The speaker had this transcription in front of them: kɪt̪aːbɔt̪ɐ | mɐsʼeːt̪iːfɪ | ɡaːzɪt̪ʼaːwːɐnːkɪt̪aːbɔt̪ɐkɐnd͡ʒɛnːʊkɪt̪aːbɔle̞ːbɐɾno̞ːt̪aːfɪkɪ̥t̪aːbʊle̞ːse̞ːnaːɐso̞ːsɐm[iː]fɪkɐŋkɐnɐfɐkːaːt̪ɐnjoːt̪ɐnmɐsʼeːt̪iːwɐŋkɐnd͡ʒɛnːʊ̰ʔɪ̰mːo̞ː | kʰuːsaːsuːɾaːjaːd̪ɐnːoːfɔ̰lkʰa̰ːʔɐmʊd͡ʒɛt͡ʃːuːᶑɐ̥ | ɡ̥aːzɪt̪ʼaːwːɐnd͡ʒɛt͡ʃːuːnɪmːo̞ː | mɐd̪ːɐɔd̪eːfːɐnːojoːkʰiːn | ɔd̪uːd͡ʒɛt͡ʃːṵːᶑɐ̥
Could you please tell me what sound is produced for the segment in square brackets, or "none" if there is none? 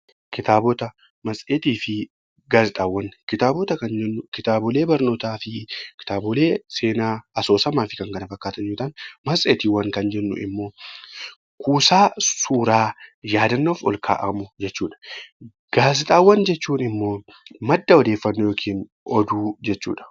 aː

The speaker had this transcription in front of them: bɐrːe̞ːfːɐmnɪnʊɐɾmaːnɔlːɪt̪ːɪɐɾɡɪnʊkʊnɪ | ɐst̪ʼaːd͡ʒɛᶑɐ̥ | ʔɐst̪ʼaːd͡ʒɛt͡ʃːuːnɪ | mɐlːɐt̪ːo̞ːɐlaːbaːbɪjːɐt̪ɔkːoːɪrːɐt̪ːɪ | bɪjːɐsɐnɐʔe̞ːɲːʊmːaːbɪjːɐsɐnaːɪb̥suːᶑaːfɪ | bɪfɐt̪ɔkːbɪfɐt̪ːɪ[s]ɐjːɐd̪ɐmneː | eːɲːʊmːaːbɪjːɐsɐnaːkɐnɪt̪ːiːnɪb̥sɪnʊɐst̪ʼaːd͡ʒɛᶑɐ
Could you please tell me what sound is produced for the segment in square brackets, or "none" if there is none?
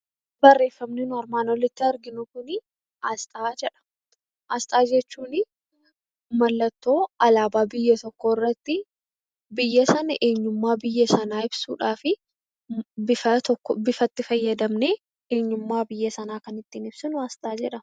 f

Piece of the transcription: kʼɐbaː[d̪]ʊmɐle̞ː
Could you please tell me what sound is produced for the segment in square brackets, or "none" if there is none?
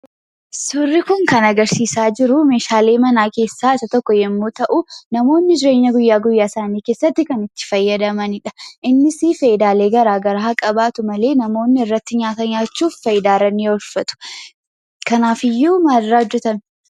t̪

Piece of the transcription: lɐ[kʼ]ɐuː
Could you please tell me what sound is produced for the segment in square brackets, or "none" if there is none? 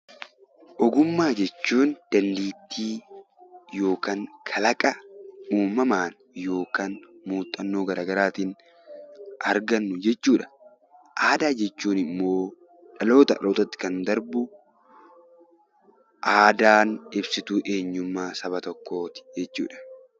kʼ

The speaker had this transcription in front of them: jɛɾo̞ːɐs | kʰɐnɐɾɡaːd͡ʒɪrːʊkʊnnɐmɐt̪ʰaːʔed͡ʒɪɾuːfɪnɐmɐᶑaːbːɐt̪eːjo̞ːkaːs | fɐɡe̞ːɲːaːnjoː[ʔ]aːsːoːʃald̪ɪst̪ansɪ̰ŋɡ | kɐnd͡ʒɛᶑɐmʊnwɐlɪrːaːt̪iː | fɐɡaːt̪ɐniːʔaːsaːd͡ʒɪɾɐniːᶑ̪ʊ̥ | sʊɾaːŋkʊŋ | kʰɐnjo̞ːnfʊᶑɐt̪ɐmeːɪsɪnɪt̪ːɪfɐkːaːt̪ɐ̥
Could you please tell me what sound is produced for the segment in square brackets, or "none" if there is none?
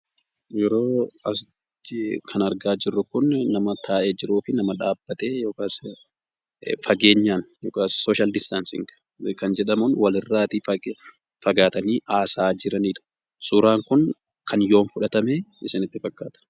k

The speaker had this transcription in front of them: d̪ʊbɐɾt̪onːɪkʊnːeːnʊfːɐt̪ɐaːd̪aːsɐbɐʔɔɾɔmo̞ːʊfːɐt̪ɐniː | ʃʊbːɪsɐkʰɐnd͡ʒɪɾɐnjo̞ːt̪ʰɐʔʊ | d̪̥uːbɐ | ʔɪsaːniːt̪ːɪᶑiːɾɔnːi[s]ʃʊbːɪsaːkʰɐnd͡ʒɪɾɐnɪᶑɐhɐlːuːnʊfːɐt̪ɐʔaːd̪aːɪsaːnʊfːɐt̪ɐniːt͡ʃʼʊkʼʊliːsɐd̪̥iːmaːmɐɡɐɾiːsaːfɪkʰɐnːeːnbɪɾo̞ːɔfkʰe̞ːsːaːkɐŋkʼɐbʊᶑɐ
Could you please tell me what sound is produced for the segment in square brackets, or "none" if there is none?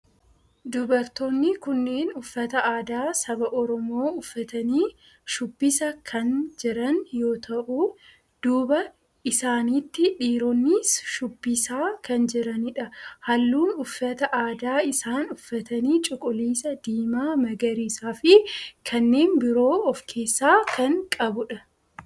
s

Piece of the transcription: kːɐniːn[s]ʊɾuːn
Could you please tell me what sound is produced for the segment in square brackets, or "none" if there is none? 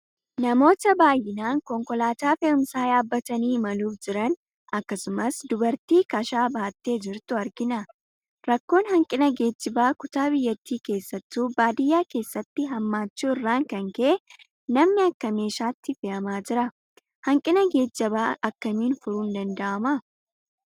f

